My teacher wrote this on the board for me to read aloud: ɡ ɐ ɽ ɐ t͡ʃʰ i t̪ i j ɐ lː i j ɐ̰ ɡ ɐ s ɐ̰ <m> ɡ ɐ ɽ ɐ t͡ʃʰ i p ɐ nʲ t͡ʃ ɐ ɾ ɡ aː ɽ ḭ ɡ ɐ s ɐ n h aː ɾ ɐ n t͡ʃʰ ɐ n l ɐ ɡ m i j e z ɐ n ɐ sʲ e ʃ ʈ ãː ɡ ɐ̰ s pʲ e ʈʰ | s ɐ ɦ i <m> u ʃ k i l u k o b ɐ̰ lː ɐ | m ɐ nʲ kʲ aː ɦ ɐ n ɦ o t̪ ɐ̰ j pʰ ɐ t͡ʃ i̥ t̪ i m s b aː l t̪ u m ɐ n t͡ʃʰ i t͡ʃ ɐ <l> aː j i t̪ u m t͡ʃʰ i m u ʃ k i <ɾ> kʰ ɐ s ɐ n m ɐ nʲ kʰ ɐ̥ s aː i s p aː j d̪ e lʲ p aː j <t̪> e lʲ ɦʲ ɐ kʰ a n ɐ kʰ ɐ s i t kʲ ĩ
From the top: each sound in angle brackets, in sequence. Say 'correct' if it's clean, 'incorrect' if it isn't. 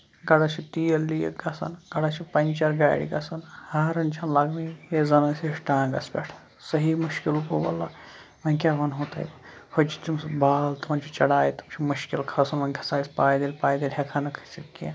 incorrect: n, correct, incorrect: ɽ, incorrect: l, incorrect: d̪

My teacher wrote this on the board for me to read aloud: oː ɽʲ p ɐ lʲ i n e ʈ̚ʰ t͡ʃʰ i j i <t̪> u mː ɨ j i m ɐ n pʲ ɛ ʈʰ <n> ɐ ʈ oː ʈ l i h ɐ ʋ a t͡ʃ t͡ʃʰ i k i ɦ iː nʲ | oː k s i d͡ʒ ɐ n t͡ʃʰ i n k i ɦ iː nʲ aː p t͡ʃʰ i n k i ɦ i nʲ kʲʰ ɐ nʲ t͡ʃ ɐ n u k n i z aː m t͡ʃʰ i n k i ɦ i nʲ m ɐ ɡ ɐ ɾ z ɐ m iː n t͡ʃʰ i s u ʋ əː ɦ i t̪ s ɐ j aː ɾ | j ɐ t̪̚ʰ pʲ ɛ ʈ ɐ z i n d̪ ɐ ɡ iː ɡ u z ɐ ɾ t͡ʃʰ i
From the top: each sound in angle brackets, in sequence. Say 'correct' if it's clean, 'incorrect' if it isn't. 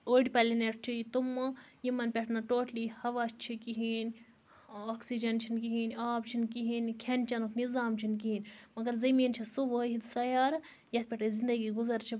correct, correct

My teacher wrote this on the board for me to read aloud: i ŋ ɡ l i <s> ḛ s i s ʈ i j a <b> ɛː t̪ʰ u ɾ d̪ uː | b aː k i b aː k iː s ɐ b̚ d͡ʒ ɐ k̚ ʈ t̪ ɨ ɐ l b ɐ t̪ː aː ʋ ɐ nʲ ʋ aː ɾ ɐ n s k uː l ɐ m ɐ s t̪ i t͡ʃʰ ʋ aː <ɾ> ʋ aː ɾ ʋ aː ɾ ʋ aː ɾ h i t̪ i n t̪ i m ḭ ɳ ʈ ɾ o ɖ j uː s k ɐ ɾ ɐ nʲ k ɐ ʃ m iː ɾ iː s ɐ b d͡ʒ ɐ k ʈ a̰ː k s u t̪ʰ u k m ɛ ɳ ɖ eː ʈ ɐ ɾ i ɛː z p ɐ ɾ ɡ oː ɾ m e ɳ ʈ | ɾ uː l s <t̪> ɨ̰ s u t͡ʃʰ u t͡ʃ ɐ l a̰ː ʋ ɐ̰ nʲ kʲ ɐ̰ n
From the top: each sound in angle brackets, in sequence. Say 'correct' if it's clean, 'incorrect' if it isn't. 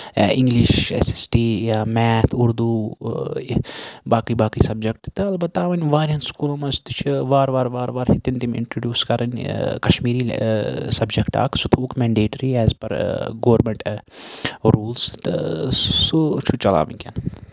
incorrect: ʃ, incorrect: m, correct, correct

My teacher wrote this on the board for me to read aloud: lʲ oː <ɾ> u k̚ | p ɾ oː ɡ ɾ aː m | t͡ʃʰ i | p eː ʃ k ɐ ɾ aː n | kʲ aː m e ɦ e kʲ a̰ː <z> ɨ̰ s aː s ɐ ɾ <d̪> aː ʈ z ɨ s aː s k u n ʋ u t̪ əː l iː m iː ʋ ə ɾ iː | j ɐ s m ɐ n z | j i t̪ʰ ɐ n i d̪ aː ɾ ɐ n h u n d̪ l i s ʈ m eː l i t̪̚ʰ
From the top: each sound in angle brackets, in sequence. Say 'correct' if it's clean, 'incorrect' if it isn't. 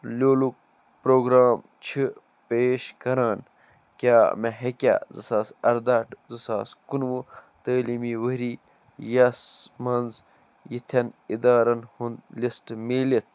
incorrect: l, correct, correct

